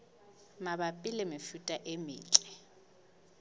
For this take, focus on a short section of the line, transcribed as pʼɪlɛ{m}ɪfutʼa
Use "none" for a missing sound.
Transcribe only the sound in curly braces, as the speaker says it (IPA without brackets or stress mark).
m